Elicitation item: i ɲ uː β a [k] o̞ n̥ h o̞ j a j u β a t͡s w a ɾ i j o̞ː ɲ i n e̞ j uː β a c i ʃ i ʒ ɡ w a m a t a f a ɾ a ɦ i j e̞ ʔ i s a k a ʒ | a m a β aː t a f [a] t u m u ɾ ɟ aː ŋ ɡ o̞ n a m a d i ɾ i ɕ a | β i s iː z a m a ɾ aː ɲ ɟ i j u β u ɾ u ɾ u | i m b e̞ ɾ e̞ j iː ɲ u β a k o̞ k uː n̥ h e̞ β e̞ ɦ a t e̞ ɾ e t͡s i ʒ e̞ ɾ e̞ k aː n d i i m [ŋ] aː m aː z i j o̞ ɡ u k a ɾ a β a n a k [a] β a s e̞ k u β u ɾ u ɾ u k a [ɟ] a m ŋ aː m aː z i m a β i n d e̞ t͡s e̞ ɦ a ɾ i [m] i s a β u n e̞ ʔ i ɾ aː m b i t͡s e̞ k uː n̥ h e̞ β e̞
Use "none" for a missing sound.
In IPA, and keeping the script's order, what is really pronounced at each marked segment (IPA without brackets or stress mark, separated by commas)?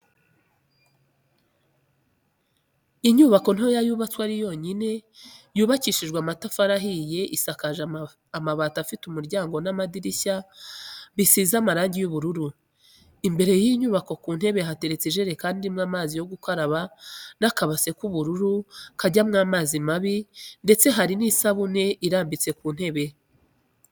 k, i, ŋ, a, ɟ, n